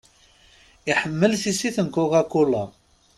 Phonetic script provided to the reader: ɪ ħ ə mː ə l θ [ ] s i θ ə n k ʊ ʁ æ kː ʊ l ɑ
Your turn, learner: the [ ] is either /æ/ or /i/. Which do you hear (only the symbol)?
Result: i